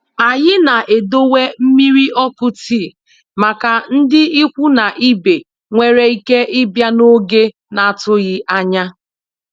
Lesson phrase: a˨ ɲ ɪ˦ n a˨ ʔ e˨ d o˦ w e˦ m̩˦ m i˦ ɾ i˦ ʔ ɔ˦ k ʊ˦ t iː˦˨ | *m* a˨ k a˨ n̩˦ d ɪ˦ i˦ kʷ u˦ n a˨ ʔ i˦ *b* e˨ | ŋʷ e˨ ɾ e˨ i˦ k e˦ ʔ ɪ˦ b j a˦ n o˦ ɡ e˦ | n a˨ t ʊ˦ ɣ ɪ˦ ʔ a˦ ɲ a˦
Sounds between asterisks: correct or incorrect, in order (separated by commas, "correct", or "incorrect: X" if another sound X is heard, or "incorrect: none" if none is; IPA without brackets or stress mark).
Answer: correct, correct